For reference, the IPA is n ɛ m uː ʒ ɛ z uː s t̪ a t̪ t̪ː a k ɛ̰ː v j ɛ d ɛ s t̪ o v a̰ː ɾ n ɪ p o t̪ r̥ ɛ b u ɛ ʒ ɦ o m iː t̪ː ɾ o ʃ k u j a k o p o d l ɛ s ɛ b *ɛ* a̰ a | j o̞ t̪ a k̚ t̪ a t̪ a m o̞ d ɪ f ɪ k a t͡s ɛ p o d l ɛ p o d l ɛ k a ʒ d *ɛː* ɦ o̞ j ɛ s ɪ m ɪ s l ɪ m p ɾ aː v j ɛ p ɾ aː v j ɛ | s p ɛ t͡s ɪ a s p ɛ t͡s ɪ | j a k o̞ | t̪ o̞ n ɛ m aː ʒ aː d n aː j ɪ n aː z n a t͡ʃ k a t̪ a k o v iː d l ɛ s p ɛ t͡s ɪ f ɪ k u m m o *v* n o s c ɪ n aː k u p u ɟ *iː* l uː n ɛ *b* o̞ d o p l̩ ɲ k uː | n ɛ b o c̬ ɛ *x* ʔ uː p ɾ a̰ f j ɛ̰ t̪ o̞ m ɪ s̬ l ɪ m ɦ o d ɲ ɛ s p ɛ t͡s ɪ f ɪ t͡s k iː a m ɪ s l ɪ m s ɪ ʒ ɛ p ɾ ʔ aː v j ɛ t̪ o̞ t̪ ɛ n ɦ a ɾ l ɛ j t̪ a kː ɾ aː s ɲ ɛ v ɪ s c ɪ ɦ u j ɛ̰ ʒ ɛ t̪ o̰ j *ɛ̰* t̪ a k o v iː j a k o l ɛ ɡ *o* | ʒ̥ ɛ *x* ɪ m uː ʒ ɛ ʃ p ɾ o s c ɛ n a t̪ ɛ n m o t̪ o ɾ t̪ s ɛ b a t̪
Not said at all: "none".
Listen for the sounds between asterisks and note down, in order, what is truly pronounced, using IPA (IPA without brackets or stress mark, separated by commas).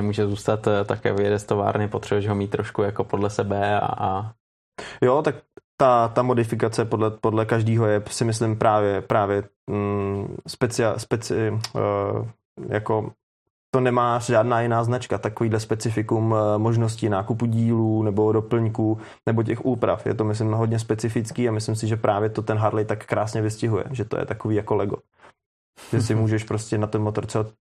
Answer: ɛ, iː, ʒ, iː, b, x, ɛ̰, o, s